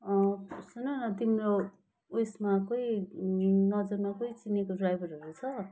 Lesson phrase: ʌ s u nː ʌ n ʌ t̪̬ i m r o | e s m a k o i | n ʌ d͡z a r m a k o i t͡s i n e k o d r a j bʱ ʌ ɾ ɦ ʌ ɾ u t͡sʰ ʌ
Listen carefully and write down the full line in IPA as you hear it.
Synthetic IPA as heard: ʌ s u n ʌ n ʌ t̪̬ i m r o | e s m a k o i | n ʌ d͡z ʌ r m a k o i t͡s i n e k o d r a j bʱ ʌ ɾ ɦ ʌ ɾ u t͡sʰ ʌ